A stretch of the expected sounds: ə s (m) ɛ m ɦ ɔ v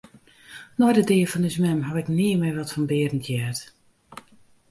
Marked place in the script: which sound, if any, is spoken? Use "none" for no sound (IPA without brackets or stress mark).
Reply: m